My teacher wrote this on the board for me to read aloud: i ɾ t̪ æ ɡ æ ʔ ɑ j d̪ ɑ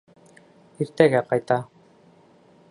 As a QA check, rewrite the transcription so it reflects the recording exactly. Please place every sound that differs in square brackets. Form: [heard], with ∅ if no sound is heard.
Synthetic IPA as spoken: i ɾ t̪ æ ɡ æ [q] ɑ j [t̪] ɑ